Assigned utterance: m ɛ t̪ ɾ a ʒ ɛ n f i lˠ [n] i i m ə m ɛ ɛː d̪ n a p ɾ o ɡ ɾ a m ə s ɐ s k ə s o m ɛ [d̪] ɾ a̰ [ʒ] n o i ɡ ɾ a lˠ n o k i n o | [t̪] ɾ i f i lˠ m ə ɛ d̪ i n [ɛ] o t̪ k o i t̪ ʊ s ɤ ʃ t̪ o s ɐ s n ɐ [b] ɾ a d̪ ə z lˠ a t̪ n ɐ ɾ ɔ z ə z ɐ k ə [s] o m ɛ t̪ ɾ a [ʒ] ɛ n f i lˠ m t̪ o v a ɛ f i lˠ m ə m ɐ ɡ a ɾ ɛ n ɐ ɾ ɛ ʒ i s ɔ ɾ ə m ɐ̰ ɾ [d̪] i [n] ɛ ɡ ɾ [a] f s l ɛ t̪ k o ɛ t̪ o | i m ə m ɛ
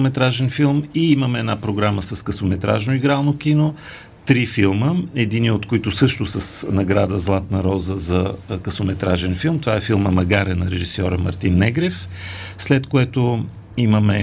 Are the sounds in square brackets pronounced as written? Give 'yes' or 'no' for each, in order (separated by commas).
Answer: no, no, yes, yes, no, no, yes, yes, no, no, no